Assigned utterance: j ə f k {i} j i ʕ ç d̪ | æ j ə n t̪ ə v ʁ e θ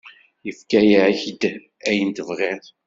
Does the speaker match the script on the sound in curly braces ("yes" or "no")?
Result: no